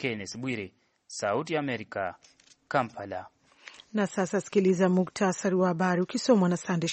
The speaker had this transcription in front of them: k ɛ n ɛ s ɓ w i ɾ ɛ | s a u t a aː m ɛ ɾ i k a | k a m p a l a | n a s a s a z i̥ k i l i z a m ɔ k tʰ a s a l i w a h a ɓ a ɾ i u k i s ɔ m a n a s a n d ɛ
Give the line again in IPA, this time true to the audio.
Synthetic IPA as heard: k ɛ n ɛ s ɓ w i ɾ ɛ | s a u t i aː m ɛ ɾ i k a | k a m p a l a | n a s a s a s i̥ k i l i z a m u k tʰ a s a ɾ i w a h a ɓ a ɾ i u k i s ɔ m a n a s a n d ɛ